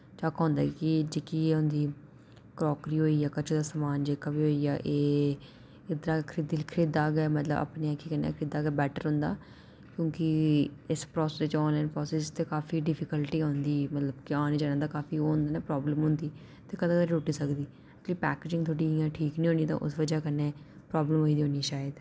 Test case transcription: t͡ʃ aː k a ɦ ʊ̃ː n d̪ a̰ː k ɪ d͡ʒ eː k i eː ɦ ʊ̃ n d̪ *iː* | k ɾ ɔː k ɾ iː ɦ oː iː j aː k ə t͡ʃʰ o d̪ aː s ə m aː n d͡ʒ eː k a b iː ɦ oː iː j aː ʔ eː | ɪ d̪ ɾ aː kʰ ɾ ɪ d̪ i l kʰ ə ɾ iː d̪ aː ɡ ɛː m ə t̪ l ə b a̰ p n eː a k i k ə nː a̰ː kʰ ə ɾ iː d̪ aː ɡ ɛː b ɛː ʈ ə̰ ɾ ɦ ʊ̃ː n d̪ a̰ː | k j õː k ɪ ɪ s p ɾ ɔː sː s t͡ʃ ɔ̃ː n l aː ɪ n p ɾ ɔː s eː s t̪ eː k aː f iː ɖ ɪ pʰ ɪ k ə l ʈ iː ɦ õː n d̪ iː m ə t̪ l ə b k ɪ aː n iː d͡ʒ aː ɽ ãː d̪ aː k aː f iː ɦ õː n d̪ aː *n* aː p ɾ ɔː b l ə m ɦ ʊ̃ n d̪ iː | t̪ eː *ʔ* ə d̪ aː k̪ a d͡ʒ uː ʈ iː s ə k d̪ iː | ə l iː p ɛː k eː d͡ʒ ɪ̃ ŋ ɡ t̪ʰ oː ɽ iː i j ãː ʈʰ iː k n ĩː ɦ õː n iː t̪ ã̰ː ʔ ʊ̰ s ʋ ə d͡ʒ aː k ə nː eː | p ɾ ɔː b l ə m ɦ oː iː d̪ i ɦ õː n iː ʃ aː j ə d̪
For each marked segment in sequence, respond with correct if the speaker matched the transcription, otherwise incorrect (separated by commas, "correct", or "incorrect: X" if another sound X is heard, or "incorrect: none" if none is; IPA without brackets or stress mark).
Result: correct, correct, incorrect: k